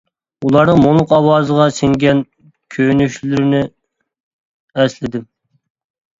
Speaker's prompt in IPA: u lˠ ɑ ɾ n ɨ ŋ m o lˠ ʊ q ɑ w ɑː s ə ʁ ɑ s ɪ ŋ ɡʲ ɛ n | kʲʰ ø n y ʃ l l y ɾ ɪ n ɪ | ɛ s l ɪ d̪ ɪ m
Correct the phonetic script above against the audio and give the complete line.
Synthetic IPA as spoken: u lˠ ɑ ɾ n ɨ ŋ m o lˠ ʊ q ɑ w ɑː z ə ʁ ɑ s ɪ ŋ ɡʲ ɛ n | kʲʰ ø n y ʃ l l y ɾ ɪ n ɪ | ɛ s l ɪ d̪ ɪ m